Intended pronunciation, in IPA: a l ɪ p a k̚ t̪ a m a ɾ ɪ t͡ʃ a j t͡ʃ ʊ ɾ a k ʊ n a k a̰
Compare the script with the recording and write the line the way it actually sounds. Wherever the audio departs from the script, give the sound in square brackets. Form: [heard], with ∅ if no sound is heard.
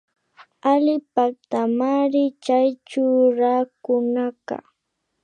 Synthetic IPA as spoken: a l ɪ p a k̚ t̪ a m a ɾ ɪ t͡ʃ a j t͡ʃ ʊ ɾ a k ʊ n a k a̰